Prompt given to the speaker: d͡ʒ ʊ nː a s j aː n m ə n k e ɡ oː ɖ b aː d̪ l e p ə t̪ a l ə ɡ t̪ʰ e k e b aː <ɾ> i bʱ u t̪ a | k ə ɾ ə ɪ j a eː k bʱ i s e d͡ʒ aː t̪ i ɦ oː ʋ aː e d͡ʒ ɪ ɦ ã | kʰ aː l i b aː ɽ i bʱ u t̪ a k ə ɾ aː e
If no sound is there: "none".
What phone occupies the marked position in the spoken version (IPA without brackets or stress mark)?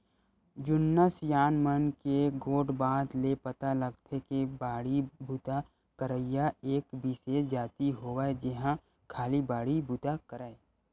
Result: ɽ